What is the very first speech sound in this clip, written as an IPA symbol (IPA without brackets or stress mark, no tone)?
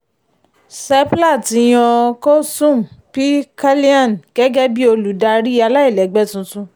s